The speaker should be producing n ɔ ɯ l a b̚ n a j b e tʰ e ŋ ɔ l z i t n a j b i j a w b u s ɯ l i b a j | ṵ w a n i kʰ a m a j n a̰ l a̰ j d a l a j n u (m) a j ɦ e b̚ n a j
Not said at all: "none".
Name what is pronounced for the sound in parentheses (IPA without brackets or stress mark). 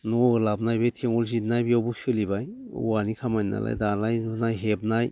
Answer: n